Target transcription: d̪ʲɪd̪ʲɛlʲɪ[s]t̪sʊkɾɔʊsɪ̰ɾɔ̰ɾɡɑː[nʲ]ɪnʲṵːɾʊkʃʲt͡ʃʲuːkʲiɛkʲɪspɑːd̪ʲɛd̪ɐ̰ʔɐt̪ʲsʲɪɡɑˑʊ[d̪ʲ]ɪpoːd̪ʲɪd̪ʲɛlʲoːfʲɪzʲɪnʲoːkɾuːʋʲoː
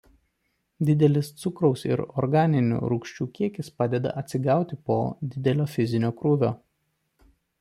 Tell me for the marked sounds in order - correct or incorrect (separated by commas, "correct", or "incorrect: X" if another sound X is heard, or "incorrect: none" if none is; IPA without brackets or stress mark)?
correct, correct, incorrect: t̪ʲ